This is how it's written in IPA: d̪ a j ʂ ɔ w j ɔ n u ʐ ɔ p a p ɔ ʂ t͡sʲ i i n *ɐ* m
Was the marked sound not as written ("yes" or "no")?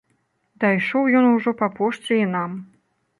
yes